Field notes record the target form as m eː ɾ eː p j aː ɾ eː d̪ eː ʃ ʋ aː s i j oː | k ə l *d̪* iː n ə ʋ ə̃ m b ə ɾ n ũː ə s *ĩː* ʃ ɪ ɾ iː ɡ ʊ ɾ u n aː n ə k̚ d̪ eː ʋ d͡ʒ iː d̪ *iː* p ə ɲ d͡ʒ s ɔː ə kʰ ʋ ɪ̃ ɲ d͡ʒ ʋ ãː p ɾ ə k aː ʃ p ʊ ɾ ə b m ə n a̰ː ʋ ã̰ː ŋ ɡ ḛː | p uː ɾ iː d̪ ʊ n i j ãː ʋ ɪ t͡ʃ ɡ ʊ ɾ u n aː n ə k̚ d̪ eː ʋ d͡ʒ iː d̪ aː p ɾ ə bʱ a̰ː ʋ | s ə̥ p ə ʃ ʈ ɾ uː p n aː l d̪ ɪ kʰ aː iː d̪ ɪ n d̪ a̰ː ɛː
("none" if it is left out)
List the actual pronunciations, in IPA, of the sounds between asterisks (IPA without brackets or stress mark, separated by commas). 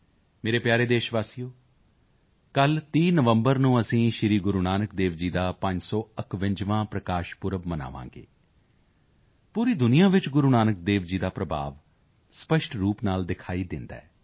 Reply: t̪, ĩː, aː